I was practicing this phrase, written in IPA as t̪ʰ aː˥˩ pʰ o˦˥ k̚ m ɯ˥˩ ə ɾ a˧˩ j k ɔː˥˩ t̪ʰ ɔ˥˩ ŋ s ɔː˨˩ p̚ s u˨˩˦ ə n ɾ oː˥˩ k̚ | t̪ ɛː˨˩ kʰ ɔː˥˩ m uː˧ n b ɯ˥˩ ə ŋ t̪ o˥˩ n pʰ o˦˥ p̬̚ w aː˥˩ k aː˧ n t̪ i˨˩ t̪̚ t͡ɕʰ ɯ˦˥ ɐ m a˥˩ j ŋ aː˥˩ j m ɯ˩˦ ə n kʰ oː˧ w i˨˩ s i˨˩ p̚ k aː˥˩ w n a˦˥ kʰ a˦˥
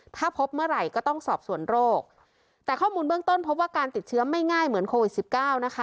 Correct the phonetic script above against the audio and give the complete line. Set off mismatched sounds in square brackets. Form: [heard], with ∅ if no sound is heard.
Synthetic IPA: t̪ʰ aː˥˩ pʰ o˦˥ [p̚] m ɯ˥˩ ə ɾ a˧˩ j k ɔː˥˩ [t̪] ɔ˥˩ ŋ s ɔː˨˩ p̚ s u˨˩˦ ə n ɾ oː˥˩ k̚ | t̪ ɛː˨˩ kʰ ɔː˥˩ m uː˧ n b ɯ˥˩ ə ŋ t̪ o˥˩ n pʰ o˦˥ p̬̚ w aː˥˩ k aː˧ n t̪ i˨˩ t̪̚ t͡ɕʰ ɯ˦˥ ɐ m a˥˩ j ŋ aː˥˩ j m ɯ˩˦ ə n kʰ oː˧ w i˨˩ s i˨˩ p̚ k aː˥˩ w n a˦˥ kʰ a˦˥